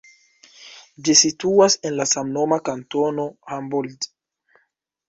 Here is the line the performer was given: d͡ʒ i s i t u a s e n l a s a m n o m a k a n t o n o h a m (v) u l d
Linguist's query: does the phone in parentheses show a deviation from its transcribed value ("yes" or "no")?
yes